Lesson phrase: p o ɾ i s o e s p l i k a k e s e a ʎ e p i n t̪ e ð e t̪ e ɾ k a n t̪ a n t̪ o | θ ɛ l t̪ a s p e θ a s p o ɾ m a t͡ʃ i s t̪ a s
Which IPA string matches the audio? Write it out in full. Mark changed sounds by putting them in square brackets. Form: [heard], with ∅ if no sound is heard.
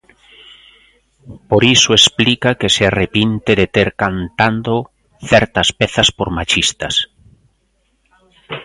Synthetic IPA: p o ɾ i s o e s p l i k a k e s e a [r] e p i n t̪ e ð e t̪ e ɾ k a n t̪ a n [d̪] o | θ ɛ [ɾ] t̪ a s p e θ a s p o ɾ m a t͡ʃ i s t̪ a s